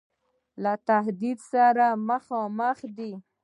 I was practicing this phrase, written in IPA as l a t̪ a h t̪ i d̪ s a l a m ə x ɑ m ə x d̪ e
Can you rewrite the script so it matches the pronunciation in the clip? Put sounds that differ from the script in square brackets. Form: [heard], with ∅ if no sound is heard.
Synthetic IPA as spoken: l a t̪ a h [d̪] i d̪ s a [ɾ] a m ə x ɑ m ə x d̪ [i]